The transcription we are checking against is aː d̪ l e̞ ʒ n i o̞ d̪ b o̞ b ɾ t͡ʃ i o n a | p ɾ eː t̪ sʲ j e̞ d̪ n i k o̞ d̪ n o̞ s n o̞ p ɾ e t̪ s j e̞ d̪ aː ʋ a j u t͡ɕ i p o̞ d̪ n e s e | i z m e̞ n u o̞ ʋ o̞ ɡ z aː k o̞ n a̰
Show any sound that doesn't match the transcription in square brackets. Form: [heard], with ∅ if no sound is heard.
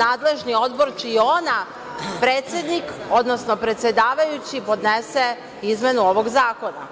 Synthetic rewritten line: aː d̪ l e̞ ʒ n i o̞ d̪ b o̞ [∅] ɾ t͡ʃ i o n a | p ɾ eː t̪ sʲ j e̞ d̪ n i k o̞ d̪ n o̞ s n o̞ p ɾ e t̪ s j e̞ d̪ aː ʋ a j u t͡ɕ i p o̞ d̪ n e s e | i z m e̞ n u o̞ ʋ o̞ ɡ z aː k o̞ n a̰